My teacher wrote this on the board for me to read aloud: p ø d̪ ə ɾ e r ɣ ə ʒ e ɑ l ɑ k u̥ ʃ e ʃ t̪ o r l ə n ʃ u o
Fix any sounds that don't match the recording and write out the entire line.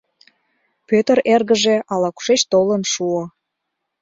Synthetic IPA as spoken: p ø t̪ ə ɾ e r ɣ ə ʒ e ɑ l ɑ k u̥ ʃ e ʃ t̪ o l ə n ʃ u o